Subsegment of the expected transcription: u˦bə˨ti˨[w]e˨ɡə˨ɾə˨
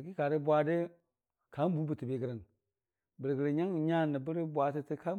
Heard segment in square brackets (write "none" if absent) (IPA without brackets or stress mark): b